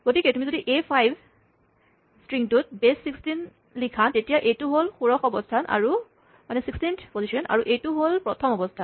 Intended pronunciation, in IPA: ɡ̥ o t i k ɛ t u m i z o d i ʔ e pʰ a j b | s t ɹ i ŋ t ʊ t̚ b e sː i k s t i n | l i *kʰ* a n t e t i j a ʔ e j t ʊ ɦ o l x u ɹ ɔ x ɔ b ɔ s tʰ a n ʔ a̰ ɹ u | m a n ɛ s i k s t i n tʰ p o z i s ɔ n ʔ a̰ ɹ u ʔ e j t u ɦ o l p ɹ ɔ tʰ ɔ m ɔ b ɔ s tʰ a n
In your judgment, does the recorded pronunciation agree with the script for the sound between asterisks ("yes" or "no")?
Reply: yes